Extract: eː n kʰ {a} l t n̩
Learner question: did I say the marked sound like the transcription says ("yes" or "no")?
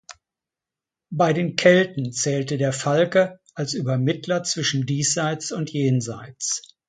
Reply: no